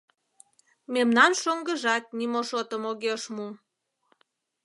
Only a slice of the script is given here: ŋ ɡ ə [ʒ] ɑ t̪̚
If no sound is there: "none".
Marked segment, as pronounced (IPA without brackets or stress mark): ʒ